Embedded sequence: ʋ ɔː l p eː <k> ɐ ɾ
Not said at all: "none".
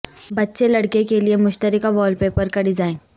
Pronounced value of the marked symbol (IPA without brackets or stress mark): p